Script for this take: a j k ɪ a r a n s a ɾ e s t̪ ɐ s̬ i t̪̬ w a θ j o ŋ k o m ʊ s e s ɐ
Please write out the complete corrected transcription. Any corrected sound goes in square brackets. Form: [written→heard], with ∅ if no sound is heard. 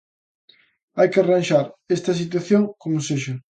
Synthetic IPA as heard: a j k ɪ a r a n [s→ʃ] a ɾ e s t̪ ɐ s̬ i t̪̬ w a θ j o ŋ k o m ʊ s e [s→ʃ] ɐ